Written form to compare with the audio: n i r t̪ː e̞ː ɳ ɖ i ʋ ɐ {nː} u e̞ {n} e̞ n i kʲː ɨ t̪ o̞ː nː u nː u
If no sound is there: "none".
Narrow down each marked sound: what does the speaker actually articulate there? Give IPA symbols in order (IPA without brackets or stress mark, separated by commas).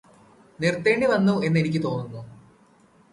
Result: nː, nː